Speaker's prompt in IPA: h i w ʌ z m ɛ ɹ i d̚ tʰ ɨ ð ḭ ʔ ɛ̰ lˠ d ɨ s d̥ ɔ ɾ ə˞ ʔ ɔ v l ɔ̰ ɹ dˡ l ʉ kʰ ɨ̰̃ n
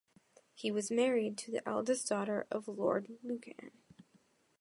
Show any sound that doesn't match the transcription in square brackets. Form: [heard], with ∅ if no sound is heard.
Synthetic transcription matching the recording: h i w ʌ z m ɛ ɹ i d̚ tʰ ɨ ð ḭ ʔ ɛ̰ lˠ d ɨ s d̥ ɔ ɾ ə˞ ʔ [ʌ] v l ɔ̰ ɹ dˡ l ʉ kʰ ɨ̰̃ n